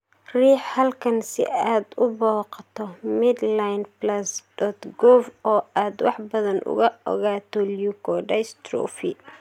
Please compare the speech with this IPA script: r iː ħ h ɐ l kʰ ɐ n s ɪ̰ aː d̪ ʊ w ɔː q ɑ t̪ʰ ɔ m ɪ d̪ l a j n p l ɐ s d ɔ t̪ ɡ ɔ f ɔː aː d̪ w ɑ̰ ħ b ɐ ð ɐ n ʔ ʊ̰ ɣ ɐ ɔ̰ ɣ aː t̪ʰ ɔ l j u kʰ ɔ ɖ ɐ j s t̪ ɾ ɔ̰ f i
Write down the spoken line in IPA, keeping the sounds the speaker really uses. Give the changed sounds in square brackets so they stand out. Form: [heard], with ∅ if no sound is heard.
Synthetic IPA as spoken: r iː ħ h ɐ l kʰ ɐ n s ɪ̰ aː d̪ ʊ [b] ɔː q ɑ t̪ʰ ɔ m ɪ d̪ l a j n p l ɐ s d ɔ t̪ ɡ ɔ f ɔː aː d̪ w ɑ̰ ħ b ɐ ð ɐ n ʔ ʊ̰ ɣ ɐ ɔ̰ ɣ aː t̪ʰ ɔ l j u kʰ ɔ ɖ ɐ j s t̪ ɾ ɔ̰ f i